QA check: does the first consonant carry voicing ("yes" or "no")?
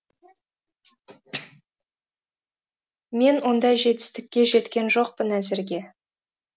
yes